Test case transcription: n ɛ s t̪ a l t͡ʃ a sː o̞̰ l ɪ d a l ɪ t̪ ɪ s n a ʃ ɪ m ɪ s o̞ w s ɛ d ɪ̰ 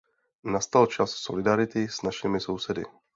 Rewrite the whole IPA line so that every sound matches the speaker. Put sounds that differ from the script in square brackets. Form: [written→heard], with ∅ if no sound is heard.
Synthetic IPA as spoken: n [ɛ→a] s t̪ a l t͡ʃ a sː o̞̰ l ɪ d a [l→ɾ] ɪ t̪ ɪ s n a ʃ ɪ m ɪ s o̞ w s ɛ d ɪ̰